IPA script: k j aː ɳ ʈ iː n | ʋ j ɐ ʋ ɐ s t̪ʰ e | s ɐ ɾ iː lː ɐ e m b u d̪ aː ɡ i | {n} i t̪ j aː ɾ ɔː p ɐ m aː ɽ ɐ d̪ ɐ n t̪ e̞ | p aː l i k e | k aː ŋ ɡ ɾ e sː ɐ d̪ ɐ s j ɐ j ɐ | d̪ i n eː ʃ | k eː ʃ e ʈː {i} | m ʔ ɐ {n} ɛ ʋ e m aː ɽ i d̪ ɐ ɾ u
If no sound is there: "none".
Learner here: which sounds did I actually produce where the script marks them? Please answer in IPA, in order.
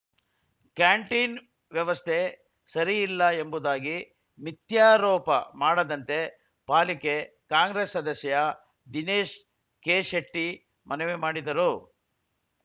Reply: m, i, n

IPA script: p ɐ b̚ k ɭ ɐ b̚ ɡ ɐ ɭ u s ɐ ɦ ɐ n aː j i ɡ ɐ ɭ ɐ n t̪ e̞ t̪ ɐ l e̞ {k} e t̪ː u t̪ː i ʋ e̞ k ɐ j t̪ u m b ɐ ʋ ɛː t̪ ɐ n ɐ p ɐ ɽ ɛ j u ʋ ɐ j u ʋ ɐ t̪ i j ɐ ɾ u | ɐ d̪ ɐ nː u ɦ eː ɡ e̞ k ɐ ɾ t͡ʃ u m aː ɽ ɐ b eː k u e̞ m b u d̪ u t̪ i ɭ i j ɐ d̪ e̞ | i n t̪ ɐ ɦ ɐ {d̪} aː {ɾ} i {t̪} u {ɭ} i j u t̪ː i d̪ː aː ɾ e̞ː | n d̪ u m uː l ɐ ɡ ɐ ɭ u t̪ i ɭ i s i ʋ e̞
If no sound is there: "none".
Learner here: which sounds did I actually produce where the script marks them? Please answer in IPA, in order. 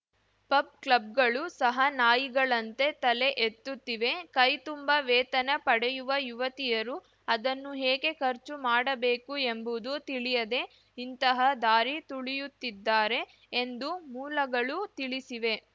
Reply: ʔ, d̪, ɾ, t̪, ɭ

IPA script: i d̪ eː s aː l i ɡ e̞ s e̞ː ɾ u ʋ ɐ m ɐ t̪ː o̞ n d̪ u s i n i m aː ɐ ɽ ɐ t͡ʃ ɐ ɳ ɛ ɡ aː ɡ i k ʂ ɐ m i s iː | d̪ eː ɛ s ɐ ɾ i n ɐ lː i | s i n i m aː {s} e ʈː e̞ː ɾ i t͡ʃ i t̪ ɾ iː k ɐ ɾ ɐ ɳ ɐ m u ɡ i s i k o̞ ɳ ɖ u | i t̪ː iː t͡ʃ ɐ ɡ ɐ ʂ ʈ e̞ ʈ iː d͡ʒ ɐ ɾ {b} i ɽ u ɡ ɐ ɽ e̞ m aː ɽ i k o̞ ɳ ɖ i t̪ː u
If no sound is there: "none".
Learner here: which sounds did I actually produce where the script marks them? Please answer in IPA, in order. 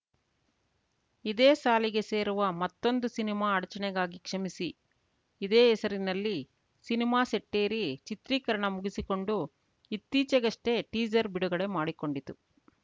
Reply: s, b

